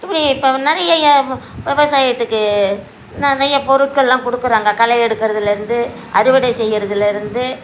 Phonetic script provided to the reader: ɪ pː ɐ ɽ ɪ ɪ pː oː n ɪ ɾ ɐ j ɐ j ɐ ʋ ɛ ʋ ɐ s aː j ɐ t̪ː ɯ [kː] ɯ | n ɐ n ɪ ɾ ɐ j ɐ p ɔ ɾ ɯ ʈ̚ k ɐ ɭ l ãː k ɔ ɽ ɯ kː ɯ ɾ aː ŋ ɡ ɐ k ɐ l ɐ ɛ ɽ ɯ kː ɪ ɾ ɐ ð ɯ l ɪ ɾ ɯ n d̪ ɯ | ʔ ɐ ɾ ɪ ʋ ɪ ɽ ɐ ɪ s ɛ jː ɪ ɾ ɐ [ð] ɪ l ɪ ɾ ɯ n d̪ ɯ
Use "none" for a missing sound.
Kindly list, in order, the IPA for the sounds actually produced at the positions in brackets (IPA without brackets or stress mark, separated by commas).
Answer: kː, ð